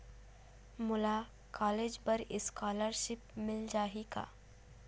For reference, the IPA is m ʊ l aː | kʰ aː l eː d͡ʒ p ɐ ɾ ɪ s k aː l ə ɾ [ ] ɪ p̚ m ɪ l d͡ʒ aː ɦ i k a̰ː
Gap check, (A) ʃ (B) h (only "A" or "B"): A